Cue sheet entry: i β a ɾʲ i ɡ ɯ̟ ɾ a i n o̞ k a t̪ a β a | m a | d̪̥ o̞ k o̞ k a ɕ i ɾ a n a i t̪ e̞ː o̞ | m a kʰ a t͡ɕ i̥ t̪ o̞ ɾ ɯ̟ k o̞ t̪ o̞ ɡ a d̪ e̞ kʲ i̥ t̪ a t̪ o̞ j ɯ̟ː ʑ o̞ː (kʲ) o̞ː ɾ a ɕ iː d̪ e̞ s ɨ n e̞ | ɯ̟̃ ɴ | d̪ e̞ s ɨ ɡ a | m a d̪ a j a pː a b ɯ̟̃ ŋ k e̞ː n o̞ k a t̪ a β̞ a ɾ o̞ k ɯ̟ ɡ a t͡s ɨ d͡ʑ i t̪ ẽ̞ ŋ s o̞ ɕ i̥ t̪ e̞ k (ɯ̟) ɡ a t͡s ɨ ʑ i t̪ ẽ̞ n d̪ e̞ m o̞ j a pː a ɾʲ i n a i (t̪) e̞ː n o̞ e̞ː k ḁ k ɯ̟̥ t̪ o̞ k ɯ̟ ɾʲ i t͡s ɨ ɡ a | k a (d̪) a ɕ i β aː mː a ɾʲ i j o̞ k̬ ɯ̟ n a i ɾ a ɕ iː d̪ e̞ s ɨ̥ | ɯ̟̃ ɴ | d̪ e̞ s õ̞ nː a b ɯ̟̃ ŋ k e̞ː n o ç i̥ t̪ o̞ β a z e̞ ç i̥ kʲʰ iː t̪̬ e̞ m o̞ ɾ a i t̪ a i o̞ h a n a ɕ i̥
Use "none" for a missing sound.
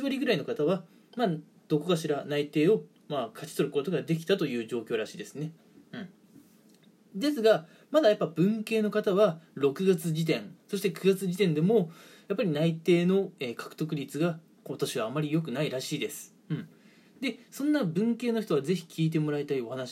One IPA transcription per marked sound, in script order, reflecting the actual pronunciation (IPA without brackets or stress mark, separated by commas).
kʲ, ɯ̟, t̪, t̪